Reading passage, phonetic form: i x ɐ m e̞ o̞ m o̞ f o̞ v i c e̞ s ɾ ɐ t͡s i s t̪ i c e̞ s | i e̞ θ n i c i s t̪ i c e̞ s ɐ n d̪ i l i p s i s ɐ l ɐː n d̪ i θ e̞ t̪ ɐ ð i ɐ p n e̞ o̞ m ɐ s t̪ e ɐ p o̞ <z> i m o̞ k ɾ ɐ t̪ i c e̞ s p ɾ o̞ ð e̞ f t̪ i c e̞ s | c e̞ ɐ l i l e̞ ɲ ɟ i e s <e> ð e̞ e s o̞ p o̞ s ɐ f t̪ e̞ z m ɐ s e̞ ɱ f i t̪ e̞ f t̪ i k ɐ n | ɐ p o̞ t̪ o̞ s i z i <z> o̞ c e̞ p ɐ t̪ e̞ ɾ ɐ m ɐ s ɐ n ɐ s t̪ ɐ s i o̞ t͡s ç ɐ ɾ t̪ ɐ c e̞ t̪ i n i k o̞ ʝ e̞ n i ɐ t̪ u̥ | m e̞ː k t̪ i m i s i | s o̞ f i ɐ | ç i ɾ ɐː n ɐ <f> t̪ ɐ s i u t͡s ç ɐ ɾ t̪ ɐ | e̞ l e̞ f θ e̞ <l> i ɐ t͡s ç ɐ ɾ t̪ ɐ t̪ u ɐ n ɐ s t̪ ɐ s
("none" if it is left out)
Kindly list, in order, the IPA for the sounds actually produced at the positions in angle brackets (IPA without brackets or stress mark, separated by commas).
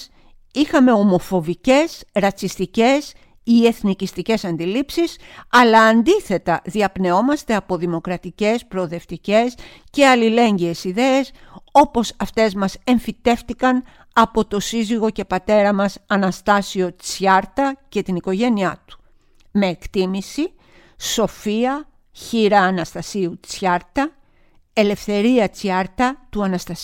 ð, i, ɣ, s, ɾ